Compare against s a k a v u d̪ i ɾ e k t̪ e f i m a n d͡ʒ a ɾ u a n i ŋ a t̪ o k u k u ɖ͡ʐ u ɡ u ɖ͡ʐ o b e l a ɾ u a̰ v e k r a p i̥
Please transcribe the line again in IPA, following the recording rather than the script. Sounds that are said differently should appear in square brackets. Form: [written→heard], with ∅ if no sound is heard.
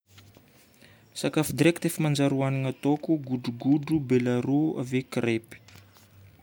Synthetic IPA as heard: s a k a [v→f] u d̪ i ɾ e k t̪ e f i m a n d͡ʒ a ɾ u a n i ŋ a t̪ o k u [k→ɡ] u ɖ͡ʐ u ɡ u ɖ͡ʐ [o→u] b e l a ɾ u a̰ v e k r [a→e] p i̥